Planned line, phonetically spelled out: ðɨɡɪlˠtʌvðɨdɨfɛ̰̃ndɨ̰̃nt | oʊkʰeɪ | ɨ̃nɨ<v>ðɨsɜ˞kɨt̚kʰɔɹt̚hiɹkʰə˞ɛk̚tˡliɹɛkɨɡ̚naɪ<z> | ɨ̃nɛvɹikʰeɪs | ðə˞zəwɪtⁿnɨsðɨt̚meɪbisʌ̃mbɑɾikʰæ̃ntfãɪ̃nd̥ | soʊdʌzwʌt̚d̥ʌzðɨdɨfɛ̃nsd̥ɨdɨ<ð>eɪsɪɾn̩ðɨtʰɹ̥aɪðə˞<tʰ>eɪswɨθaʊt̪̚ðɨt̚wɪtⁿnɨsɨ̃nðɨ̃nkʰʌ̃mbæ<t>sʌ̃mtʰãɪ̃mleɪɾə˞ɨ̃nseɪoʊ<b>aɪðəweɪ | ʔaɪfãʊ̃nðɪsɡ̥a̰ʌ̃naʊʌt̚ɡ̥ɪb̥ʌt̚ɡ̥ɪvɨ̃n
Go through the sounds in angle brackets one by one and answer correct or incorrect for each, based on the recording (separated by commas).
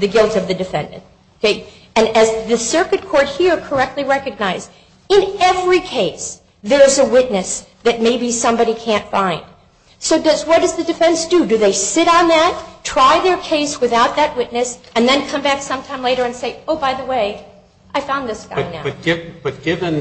incorrect, correct, correct, incorrect, incorrect, correct